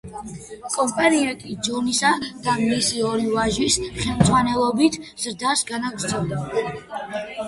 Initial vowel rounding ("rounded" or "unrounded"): rounded